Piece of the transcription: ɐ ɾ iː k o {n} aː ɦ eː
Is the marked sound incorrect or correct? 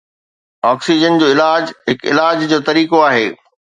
incorrect